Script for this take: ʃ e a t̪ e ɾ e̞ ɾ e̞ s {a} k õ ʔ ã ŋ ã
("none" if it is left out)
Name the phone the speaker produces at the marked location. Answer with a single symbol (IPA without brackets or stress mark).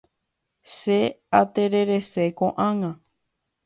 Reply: e